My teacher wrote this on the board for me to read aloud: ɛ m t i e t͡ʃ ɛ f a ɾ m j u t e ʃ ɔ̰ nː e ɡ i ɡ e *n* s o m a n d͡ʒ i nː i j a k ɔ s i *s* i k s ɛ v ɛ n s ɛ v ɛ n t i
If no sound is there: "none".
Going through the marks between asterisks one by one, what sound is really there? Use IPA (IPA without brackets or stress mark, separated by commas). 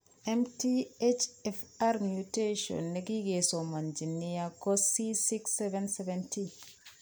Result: none, s